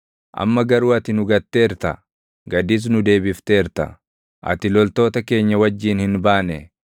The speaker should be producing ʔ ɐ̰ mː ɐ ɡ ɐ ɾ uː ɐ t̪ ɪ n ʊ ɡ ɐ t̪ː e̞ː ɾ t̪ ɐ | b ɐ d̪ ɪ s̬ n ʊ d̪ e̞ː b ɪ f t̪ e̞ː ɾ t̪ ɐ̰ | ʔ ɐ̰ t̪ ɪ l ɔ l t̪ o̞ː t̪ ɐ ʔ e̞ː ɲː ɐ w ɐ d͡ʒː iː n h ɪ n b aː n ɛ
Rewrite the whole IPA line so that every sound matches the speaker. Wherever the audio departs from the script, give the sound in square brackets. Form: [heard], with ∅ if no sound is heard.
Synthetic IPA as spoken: ʔ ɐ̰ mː ɐ ɡ ɐ ɾ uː ɐ t̪ ɪ n ʊ ɡ ɐ t̪ː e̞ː ɾ t̪ ɐ | [ɡ] ɐ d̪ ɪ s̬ n ʊ d̪ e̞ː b ɪ f t̪ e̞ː ɾ t̪ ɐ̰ | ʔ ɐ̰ t̪ ɪ l ɔ l t̪ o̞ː t̪ ɐ [k] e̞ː ɲː ɐ w ɐ d͡ʒː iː n h ɪ n b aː n ɛ